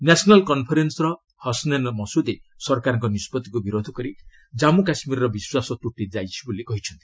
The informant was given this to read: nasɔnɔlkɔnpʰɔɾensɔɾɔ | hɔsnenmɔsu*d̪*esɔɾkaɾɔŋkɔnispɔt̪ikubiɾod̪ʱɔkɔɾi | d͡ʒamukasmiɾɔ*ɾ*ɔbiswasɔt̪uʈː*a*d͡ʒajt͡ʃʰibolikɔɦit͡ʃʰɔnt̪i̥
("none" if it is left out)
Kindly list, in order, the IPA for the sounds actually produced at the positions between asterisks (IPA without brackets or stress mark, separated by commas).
d̪, ɾ, i